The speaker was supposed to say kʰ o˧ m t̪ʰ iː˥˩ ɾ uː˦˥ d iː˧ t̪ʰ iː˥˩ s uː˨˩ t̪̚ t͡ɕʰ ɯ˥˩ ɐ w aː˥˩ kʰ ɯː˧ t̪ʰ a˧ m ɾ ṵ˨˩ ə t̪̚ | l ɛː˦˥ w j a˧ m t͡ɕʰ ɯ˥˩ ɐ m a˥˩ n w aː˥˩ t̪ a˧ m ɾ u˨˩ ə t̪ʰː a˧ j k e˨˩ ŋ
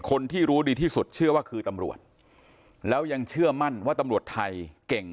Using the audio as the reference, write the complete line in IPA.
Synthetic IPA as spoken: kʰ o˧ n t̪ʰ iː˥˩ ɾ uː˦˥ d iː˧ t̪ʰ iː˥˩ s u˨˩ t̪̚ t͡ɕʰ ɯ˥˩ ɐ w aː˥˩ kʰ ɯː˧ t̪ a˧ m ɾ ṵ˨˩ ə t̪̚ | l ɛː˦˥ w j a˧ ŋ t͡ɕʰ ɯ˥˩ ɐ m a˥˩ n w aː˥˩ t̪ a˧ m ɾ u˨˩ ə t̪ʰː a˧ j k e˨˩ ŋ